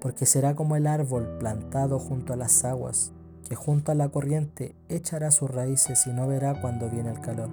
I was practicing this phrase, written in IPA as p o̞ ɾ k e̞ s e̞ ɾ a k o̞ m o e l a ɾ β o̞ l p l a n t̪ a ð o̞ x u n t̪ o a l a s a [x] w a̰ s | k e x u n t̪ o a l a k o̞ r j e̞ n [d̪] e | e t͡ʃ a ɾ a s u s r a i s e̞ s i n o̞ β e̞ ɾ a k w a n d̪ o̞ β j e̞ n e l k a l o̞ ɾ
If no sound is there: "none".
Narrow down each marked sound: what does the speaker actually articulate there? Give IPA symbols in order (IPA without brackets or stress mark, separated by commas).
ɣ, t̪